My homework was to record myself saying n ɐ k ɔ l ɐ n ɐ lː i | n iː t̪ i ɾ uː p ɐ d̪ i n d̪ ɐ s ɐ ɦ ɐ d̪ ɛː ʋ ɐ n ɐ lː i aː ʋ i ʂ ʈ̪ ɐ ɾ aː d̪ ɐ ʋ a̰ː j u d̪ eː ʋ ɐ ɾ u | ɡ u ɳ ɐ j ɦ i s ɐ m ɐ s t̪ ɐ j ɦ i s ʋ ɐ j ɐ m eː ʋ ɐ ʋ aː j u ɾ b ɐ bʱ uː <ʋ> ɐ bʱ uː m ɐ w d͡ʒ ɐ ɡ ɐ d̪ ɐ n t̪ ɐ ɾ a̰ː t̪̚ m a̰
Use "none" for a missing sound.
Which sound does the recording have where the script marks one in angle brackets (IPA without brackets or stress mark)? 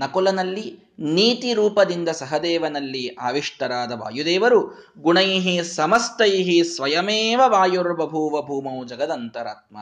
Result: ʋ